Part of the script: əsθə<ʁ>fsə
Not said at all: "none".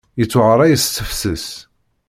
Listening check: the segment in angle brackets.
none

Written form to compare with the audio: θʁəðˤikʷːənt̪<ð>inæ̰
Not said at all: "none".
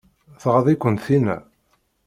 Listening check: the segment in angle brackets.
θ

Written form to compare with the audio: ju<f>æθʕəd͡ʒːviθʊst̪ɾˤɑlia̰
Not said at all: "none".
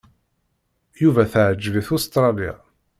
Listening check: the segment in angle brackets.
v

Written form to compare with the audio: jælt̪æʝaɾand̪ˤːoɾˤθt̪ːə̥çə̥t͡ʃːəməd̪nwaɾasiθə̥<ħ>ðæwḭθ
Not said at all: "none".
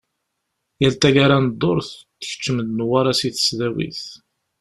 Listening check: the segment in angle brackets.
s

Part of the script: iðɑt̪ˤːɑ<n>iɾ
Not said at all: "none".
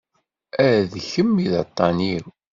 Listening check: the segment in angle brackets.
n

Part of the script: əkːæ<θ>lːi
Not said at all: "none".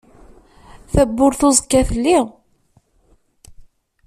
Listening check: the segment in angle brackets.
θ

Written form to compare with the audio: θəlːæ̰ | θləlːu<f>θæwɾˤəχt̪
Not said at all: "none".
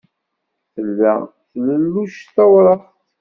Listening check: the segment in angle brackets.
ʃ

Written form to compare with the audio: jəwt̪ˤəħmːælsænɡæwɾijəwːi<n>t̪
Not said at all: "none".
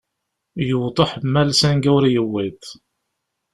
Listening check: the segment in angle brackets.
none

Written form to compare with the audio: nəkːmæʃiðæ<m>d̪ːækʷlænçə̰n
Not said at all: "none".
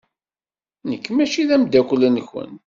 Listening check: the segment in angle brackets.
m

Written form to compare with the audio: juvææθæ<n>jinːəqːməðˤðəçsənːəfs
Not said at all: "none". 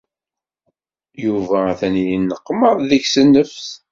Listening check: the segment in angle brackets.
n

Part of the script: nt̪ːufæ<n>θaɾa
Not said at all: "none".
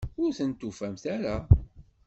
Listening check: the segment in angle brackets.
m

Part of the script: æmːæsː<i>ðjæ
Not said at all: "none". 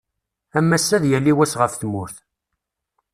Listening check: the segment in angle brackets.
æ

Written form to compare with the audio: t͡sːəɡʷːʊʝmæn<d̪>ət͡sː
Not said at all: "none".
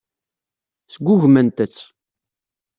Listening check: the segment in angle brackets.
t̪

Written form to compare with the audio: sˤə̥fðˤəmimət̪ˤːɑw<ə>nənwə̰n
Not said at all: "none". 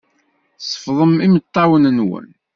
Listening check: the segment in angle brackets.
ə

